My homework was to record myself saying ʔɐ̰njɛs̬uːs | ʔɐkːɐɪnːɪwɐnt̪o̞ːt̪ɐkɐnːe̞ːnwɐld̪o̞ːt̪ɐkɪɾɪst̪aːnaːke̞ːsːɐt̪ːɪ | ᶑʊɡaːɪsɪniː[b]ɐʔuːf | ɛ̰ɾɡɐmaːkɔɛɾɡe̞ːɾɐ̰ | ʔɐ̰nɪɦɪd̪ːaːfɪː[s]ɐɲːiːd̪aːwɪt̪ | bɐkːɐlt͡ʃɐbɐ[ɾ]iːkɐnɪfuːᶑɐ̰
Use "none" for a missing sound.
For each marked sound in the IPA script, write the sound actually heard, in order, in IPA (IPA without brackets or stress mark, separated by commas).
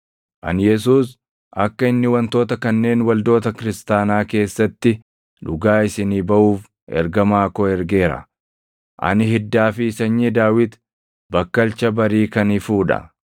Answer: b, s, ɾ